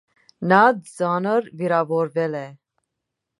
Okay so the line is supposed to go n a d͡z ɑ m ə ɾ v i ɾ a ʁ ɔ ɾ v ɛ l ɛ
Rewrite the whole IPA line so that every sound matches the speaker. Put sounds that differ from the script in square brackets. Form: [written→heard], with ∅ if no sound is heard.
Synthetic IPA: n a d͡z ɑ [m→n] ə ɾ v i ɾ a [ʁ→v] ɔ ɾ v ɛ l ɛ